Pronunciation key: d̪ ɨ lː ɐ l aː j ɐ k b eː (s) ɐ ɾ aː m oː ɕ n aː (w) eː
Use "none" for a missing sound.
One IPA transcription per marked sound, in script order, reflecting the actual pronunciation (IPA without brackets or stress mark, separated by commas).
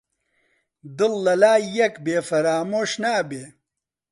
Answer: f, b